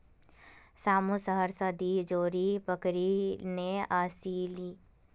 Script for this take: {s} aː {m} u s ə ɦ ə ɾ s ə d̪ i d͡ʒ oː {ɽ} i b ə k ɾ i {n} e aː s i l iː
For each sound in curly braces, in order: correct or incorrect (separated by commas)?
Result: correct, correct, incorrect, correct